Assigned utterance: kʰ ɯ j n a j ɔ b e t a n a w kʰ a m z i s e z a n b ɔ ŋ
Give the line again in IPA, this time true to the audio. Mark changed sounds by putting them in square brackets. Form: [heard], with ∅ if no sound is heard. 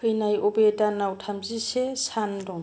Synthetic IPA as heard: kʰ ɯ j n a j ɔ b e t a n a w [tʰ] a m z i s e [s] a n [d] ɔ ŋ